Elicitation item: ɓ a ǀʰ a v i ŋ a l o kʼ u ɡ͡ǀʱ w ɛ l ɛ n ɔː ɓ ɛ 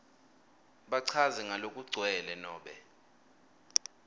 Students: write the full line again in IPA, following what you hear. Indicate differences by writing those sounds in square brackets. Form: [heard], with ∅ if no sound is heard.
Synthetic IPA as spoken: ɓ a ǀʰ a [z] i ŋ a l o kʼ u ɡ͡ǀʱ w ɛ l ɛ n ɔː ɓ ɛ